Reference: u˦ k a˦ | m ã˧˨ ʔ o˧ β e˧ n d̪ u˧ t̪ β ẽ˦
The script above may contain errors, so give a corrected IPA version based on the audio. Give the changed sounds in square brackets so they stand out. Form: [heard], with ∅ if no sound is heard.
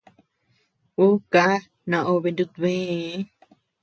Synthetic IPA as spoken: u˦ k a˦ | [n] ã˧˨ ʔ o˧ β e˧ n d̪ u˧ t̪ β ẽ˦

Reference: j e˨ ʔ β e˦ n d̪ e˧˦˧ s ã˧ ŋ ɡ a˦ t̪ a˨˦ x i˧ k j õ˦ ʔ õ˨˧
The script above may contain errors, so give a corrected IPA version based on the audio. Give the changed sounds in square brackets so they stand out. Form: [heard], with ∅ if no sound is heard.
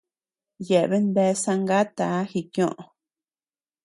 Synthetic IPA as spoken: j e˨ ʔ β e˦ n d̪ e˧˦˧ s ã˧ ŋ ɡ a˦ t̪ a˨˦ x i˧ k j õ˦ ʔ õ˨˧

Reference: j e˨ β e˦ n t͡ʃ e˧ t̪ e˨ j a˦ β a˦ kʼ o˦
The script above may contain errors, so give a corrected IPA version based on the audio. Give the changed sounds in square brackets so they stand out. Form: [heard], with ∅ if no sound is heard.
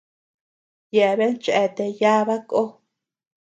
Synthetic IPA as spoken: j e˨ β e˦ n t͡ʃ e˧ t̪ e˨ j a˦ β a˦ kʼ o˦

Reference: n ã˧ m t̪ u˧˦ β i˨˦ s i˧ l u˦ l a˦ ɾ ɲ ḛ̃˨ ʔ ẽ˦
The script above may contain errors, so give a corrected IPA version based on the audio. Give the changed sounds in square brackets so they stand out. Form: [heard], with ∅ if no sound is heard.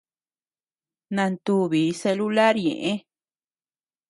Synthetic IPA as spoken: n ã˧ [n] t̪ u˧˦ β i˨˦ s [e˧] l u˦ l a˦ ɾ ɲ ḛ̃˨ ʔ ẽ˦

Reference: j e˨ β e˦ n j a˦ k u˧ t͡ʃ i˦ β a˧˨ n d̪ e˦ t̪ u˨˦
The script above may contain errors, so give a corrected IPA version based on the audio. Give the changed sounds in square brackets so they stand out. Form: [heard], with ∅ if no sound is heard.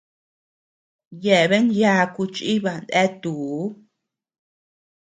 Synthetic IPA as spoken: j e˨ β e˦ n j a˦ k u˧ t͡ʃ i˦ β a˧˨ n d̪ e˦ t̪ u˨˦

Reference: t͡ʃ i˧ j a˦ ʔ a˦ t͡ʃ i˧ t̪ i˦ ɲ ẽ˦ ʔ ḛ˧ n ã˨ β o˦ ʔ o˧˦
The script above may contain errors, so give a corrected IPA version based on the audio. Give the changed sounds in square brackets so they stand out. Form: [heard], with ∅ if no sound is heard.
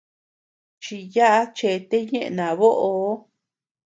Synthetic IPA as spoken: t͡ʃ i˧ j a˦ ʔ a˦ t͡ʃ [e˧] t̪ [e˦] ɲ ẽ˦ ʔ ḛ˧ n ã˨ β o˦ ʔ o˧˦

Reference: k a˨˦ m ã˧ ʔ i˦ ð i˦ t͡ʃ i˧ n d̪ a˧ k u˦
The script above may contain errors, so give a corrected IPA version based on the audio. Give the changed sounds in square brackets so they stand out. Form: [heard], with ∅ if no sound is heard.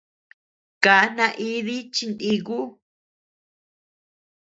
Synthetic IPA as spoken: k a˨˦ [n] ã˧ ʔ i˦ ð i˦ t͡ʃ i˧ n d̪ [i˧] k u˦

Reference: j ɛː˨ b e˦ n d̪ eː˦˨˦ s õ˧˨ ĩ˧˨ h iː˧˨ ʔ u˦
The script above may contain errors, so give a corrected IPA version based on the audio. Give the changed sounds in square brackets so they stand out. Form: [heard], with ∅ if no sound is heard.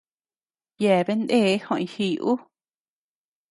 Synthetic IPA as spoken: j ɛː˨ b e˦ n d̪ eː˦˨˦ [h] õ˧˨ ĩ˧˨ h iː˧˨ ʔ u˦

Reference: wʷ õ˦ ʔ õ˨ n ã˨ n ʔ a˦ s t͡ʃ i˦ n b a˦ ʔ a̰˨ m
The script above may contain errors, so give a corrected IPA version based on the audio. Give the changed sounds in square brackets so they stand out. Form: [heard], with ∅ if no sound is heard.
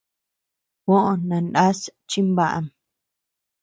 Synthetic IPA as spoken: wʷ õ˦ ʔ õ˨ n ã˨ n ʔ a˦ s t͡ʃ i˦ [m] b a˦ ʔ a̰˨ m

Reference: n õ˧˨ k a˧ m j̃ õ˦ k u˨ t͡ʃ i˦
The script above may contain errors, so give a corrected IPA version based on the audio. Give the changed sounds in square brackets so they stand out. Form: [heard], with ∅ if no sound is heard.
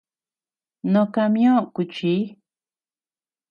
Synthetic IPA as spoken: n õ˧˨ k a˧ m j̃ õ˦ k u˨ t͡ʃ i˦

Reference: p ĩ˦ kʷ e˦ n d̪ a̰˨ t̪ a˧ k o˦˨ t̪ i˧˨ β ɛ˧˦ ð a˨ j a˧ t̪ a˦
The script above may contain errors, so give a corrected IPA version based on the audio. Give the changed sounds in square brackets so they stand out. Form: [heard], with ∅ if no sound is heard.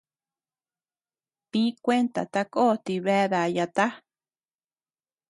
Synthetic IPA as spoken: p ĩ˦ kʷ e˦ n [t̪] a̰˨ t̪ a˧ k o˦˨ t̪ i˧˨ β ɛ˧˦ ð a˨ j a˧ t̪ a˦

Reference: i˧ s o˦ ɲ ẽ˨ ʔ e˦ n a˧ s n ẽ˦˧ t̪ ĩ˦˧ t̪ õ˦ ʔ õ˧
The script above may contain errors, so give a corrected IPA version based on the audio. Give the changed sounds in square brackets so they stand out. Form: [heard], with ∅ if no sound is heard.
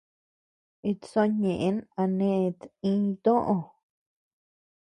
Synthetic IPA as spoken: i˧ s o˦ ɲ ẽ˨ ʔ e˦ n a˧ [∅] n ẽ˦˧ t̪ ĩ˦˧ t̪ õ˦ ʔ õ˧

